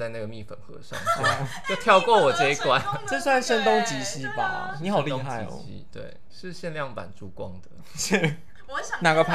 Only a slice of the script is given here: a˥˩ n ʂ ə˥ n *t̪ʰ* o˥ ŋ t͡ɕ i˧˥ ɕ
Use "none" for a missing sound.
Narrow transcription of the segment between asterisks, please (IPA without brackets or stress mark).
t̪